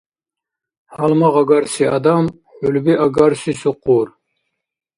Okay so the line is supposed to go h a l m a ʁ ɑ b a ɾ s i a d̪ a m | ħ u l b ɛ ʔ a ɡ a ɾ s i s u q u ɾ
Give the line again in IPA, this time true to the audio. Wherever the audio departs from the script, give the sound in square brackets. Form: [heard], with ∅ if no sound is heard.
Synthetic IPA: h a l m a ʁ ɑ [ɡ] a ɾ s i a d̪ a m | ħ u l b [i] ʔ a ɡ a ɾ s i s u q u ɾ